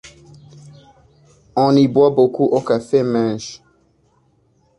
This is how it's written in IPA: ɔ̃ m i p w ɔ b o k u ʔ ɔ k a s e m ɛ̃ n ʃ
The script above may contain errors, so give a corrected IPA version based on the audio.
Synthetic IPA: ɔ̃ n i b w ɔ b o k u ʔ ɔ k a f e m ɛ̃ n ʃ